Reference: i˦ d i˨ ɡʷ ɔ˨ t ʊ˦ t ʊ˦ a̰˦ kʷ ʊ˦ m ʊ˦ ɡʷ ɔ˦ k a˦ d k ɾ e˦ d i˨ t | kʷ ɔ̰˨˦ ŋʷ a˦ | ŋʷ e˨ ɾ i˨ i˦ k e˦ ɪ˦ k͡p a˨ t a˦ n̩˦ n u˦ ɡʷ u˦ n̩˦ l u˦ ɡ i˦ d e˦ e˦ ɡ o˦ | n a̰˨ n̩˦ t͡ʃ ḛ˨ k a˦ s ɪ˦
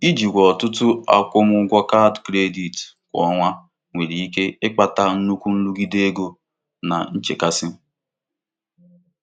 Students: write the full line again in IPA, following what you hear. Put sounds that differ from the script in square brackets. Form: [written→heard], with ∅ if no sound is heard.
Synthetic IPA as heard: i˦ [d→d͡ʒ] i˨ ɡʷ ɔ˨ t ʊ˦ t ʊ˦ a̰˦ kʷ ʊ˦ m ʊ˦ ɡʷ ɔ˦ k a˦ d k ɾ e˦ d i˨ t | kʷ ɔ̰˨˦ ŋʷ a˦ | ŋʷ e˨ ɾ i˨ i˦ k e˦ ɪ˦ k͡p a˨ t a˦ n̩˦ n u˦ [ɡʷ→kʷ] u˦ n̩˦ l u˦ ɡ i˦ d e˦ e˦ ɡ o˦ | n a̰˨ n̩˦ t͡ʃ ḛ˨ k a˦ s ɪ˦